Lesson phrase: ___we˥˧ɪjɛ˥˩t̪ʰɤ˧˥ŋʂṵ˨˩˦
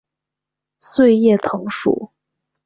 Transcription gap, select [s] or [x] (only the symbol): s